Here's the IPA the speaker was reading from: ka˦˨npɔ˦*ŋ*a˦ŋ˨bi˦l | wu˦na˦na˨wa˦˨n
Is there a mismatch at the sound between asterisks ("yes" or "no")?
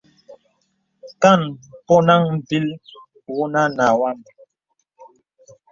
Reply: yes